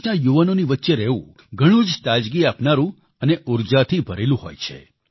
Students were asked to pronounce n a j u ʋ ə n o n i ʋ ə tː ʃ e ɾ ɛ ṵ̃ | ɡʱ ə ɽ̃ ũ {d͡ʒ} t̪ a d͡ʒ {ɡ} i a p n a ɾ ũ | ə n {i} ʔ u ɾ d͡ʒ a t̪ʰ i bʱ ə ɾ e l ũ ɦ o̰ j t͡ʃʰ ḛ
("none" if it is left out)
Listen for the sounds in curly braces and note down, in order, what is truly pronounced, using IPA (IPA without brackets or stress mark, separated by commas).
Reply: d͡ʒ, ɡ, e